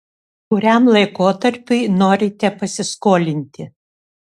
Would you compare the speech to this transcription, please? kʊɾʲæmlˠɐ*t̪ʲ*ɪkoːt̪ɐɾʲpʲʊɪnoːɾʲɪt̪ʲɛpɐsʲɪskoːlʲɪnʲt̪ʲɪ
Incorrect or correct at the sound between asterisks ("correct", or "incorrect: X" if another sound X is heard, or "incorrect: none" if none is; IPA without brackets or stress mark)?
incorrect: none